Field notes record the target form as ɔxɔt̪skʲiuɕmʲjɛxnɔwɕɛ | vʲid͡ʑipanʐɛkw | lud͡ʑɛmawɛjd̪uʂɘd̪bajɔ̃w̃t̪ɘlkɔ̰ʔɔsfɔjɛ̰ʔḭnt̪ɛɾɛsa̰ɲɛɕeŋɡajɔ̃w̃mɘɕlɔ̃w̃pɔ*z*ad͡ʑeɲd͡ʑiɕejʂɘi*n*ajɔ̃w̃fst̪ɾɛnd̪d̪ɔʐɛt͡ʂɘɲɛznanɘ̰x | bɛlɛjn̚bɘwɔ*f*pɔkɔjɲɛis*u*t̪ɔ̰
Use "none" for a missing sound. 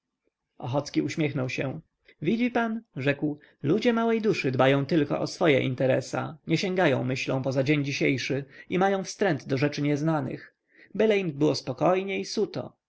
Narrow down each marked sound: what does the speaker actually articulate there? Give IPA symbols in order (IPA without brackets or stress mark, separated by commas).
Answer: z, m, s, u